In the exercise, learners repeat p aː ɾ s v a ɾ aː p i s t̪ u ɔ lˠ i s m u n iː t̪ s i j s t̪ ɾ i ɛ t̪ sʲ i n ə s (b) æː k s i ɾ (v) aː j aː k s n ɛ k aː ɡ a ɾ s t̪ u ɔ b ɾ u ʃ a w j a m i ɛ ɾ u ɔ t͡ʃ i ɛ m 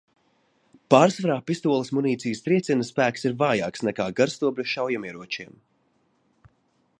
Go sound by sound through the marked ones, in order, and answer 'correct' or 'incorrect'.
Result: incorrect, correct

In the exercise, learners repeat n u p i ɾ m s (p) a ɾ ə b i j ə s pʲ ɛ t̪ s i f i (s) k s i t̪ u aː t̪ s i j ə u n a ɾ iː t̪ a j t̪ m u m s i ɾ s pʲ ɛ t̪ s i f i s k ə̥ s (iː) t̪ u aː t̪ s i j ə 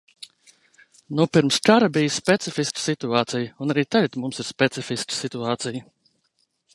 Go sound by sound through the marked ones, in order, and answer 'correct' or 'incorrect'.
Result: incorrect, correct, incorrect

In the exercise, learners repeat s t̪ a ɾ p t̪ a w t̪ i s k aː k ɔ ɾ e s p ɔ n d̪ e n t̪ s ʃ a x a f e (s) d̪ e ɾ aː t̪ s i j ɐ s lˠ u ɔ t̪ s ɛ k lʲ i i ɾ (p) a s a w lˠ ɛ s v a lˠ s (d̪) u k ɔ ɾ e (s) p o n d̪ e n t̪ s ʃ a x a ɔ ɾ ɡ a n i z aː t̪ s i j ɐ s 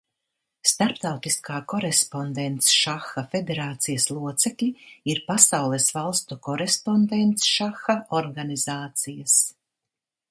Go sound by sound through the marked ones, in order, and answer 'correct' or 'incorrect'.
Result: incorrect, correct, incorrect, correct

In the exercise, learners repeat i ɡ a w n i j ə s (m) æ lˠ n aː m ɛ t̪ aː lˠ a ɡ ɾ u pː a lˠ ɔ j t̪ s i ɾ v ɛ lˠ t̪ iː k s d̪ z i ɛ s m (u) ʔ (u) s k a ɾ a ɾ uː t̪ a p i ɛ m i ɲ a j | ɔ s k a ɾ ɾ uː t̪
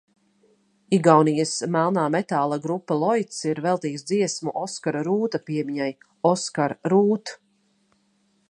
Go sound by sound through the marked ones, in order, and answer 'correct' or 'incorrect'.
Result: correct, correct, incorrect

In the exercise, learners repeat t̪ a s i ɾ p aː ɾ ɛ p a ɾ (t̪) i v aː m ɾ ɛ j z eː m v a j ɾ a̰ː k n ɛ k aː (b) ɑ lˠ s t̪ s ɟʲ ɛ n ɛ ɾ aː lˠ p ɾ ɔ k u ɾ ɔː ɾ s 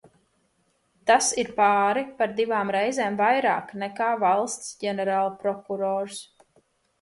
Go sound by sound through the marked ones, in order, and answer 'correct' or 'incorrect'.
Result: incorrect, incorrect

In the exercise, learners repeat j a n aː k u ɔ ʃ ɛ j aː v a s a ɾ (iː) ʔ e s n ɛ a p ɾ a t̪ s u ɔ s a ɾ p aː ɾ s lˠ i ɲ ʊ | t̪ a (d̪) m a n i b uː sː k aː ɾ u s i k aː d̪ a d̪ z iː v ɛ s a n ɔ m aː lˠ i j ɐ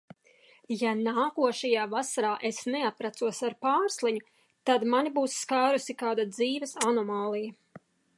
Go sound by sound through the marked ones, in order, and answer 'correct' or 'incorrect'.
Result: incorrect, correct

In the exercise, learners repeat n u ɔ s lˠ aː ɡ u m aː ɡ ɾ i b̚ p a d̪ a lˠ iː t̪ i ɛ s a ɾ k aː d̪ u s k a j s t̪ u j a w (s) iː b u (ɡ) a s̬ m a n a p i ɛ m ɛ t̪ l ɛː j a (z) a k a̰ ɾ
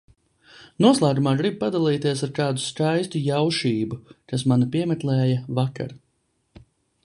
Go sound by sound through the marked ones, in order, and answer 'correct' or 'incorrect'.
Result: incorrect, incorrect, incorrect

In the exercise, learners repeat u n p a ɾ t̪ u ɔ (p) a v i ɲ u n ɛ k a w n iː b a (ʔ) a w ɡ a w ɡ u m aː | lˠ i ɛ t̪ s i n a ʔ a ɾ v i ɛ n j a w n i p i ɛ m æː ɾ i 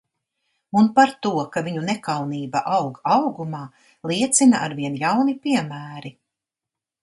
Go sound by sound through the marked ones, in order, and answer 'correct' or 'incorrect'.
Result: incorrect, correct

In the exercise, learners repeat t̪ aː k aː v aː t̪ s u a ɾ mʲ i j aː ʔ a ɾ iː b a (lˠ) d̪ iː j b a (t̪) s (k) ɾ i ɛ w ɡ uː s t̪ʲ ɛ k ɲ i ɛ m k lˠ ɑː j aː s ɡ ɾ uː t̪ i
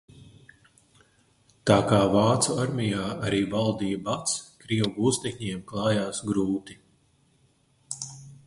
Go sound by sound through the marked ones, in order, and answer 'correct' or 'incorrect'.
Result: correct, correct, correct

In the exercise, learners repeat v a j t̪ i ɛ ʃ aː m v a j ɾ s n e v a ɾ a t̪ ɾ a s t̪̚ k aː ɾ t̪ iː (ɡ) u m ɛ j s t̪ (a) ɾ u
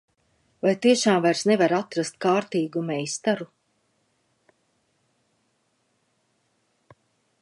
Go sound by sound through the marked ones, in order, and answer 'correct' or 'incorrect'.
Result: correct, correct

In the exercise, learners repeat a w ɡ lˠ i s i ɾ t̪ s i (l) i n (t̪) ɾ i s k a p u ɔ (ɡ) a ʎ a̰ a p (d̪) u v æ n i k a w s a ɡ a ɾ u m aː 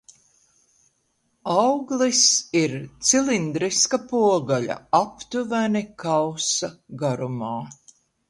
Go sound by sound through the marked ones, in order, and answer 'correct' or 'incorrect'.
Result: correct, incorrect, correct, incorrect

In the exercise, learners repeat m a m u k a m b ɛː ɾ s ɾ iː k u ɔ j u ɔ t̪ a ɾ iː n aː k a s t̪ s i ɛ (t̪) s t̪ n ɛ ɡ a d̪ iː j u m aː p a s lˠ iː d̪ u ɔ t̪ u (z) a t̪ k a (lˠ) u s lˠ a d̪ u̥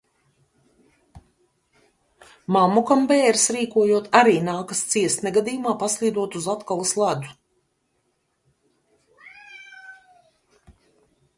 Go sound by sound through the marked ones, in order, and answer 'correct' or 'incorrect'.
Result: incorrect, correct, correct

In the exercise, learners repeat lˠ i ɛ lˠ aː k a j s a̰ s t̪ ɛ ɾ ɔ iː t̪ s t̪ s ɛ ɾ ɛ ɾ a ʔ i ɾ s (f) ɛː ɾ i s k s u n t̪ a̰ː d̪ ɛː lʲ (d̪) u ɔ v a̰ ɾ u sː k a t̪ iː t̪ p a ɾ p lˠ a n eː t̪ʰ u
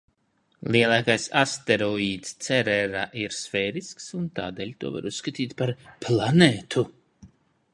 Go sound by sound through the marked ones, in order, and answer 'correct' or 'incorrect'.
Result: correct, incorrect

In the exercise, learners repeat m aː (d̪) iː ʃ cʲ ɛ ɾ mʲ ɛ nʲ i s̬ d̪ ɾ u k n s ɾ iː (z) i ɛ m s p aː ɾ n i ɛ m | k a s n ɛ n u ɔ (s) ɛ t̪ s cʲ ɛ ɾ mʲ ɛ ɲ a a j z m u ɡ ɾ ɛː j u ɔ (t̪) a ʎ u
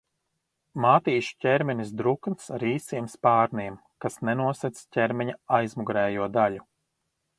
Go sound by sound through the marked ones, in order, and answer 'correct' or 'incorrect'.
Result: incorrect, incorrect, correct, incorrect

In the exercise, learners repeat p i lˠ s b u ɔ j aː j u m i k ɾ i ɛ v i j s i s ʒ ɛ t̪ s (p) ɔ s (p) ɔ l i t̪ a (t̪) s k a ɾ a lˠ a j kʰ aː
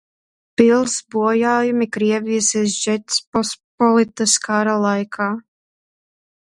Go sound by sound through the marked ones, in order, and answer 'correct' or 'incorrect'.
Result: correct, correct, incorrect

